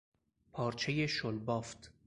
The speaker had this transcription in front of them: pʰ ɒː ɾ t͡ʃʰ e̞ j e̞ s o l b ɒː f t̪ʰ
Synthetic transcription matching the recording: pʰ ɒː ɾ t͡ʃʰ e̞ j e̞ ʃ o l b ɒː f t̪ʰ